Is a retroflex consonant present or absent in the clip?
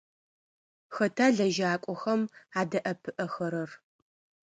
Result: absent